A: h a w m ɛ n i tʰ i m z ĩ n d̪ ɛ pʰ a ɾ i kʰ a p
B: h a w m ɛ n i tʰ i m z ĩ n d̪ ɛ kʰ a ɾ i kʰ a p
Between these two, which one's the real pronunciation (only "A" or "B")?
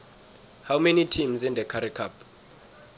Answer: B